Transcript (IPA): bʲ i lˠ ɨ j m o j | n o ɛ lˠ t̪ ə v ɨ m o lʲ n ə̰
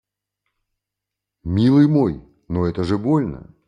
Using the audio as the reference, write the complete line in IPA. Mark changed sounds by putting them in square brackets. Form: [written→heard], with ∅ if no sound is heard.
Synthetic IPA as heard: [bʲ→mʲ] i lˠ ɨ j m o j | n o ɛ [lˠ→∅] t̪ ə [v→ʐ] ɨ [m→b] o lʲ n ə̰